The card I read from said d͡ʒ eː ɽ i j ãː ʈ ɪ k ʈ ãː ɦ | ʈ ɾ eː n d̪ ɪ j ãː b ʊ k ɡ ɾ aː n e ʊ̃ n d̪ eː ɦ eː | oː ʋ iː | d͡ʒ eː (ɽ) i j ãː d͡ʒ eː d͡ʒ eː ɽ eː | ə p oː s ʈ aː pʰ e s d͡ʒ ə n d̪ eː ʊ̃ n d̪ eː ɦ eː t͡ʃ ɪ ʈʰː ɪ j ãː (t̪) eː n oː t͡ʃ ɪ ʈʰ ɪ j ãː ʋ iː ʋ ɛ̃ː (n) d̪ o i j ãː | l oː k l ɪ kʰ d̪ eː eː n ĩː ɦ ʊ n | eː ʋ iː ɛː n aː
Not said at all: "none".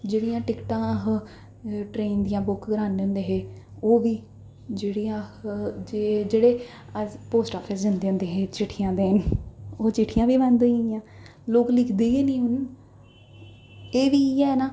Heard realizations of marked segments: ɽ, d̪, n

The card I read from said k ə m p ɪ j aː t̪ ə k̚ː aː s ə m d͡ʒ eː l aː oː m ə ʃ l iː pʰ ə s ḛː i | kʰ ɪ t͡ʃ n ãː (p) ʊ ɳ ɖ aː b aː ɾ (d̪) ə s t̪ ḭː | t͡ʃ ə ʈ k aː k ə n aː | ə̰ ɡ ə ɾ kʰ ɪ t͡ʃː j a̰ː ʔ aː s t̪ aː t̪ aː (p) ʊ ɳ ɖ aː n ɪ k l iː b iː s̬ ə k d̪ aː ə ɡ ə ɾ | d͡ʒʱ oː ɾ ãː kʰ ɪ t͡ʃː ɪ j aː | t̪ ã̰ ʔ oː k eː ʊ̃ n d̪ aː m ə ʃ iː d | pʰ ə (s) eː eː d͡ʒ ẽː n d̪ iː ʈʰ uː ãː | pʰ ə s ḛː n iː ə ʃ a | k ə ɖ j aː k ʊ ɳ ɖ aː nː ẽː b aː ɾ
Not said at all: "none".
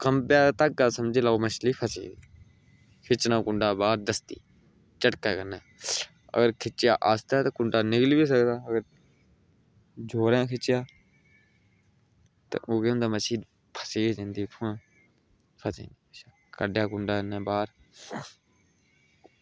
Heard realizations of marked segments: k, d̪, k, s

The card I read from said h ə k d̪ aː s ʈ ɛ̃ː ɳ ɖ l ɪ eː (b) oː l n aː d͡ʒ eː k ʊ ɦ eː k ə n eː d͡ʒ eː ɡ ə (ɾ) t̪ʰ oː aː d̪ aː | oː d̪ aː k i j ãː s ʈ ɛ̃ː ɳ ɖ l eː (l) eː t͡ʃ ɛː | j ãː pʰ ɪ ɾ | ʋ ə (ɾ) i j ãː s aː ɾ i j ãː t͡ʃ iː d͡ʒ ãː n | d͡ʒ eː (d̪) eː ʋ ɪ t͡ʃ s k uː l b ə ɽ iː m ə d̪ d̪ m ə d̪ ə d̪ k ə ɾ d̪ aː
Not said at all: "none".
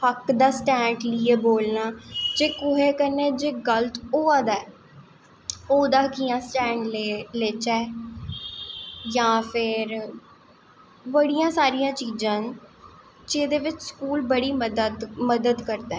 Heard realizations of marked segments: b, l, l, ɽ, d̪

